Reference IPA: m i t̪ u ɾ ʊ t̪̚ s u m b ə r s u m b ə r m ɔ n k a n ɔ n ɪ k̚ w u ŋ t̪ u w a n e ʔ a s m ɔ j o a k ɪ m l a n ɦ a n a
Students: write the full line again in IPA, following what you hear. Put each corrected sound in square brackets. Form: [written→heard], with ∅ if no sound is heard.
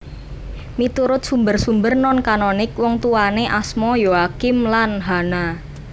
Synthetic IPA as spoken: m i t̪ u ɾ ʊ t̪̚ s u m b ə r s u m b ə r [m→n] ɔ n k a n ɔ n ɪ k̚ w [u→ɔ] ŋ t̪ u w a n e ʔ a s m ɔ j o a k ɪ m l a n ɦ a n a